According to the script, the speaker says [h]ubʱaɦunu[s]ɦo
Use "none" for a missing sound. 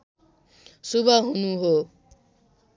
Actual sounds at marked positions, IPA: s, none

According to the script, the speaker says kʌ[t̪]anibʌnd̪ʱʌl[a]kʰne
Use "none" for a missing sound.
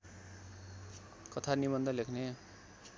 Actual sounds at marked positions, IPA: t̪ʰ, e

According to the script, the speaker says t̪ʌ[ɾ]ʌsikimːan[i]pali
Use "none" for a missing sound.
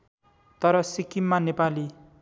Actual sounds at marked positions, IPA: ɾ, e

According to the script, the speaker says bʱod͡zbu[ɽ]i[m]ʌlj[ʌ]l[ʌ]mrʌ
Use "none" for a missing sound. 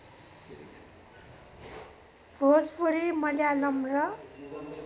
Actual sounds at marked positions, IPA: ɾ, m, a, ʌ

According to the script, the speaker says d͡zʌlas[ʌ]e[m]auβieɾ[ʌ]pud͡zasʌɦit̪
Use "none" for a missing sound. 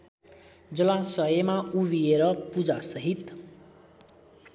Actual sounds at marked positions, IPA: ʌ, m, ʌ

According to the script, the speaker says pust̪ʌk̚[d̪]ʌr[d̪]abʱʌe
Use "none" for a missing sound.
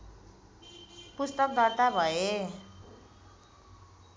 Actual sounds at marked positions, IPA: d̪, t̪

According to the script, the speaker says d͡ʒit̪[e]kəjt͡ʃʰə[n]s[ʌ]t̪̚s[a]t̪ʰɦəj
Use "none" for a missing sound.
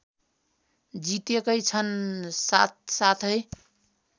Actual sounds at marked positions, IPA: e, n, a, a

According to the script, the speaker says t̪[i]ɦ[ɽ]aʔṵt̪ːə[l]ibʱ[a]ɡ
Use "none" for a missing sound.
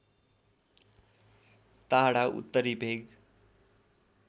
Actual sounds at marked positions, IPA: a, ɽ, ɾ, e

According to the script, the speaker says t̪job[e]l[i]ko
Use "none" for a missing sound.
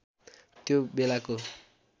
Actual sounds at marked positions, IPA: e, a

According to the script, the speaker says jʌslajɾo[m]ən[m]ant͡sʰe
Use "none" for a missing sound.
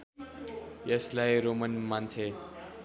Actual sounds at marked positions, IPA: m, m

